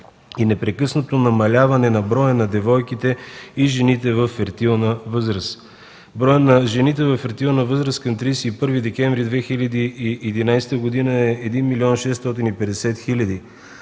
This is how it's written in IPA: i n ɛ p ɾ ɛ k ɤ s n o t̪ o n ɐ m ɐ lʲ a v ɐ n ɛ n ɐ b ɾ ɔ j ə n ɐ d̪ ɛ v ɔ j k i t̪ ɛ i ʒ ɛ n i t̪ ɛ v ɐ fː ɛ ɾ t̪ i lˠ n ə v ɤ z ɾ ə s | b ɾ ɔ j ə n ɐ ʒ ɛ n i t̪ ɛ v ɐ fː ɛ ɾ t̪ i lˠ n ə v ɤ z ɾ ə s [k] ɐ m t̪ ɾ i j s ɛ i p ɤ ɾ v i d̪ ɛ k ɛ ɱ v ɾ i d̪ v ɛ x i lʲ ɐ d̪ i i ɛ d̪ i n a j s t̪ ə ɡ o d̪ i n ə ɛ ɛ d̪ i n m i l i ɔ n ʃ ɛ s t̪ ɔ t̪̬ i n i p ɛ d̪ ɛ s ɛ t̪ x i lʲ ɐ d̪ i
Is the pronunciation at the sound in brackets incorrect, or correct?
correct